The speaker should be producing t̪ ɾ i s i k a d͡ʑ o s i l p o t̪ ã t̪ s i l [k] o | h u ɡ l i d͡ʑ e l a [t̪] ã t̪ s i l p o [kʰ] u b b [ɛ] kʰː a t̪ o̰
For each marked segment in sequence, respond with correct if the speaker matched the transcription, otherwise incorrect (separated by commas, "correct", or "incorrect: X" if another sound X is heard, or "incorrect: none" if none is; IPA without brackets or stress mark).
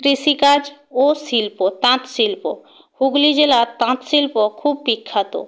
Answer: incorrect: p, correct, correct, incorrect: i